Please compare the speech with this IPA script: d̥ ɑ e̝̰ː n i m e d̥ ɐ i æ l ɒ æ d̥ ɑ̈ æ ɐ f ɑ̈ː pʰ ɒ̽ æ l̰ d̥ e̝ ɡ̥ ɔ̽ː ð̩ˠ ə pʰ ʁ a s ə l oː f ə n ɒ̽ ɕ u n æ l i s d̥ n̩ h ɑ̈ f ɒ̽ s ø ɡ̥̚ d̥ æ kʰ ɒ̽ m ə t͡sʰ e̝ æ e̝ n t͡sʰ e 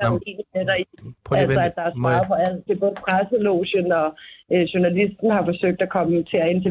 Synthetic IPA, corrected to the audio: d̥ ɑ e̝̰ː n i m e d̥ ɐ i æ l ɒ æ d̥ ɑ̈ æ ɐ s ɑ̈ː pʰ ɒ̽ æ l̰ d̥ e̝ b̥ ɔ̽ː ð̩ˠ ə pʰ ʁ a s ə l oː ɕ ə n ɒ̽ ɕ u n æ l i s d̥ n̩ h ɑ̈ f ɒ̽ s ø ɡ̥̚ d̥ æ kʰ ɒ̽ m ə t͡sʰ e̝ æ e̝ n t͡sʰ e